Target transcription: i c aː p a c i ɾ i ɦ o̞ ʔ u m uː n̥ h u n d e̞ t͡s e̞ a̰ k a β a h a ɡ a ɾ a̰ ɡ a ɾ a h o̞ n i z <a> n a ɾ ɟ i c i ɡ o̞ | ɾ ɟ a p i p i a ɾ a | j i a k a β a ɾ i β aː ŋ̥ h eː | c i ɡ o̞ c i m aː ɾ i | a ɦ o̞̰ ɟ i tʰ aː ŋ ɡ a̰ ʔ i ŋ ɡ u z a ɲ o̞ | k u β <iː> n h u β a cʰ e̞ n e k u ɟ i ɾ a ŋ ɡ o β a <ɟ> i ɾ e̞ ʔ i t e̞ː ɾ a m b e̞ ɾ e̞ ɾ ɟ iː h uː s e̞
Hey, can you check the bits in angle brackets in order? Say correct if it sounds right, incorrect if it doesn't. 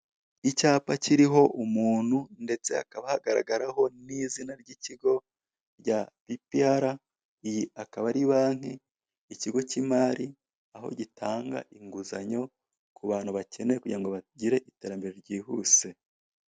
incorrect, incorrect, correct

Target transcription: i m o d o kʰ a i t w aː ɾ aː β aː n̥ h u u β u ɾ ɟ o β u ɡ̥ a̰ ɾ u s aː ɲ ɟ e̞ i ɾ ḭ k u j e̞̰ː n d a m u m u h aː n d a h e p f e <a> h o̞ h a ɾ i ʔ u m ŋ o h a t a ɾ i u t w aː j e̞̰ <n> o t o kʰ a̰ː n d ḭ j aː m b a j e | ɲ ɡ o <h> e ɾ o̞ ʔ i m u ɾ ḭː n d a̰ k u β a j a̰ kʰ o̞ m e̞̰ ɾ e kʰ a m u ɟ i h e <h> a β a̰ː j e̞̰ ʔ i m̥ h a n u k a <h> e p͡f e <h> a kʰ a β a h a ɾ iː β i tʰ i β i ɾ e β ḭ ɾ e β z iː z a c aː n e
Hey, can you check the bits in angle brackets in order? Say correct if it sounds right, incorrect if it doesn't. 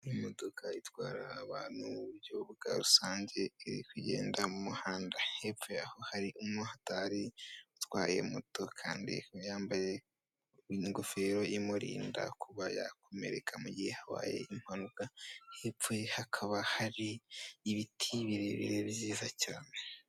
correct, incorrect, incorrect, correct, correct, correct

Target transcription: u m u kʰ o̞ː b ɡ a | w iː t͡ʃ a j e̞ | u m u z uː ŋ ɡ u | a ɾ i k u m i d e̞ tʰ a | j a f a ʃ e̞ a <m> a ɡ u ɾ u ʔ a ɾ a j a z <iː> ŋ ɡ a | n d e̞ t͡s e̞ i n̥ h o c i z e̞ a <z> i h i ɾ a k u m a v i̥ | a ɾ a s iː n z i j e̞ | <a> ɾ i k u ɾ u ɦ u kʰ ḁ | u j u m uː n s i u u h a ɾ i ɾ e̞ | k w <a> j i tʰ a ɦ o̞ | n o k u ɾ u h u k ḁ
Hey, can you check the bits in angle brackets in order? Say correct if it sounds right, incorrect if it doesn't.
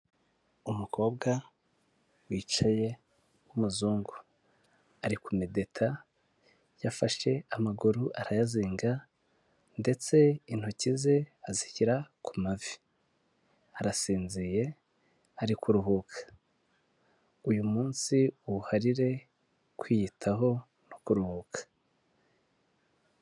correct, correct, correct, correct, incorrect

